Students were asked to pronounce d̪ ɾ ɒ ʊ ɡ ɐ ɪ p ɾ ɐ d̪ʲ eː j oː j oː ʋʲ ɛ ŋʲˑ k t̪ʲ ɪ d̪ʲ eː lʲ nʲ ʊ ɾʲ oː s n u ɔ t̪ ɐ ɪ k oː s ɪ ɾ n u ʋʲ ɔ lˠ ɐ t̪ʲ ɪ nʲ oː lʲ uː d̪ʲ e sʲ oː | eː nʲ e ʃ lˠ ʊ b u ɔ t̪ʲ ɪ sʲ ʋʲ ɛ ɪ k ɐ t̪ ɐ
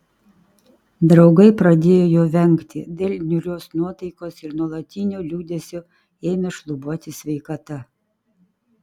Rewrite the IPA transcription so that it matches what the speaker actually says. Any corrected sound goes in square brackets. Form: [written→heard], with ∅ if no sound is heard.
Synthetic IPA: d̪ ɾ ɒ ʊ ɡ ɐ ɪ p ɾ ɐ d̪ʲ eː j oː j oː ʋʲ ɛ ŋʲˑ k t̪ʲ ɪ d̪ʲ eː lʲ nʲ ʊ ɾʲ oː s n u ɔ t̪ ɐ ɪ k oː s ɪ ɾ n u [ʋʲ→∅] ɔ lˠ ɐ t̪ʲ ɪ nʲ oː lʲ uː d̪ʲ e sʲ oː | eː [nʲ→mʲ] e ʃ lˠ ʊ b u ɔ t̪ʲ ɪ sʲ ʋʲ ɛ ɪ k ɐ t̪ ɐ